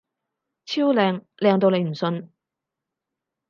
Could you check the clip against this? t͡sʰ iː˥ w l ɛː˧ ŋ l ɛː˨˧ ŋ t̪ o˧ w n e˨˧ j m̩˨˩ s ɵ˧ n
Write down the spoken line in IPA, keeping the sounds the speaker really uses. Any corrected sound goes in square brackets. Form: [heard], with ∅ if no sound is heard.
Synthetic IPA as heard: t͡sʰ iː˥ w l ɛː˧ ŋ l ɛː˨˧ ŋ t̪ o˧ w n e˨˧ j m̩˨˩ s ɵ˧ n